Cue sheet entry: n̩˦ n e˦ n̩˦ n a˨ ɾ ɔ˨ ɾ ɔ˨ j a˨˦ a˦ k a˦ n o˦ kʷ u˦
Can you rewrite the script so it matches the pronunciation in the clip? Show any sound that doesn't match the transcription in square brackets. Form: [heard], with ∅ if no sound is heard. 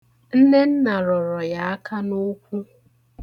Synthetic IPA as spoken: n̩˦ n e˦ n̩˦ n a˨ ɾ ɔ˨ ɾ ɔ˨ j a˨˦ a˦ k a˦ n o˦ kʷ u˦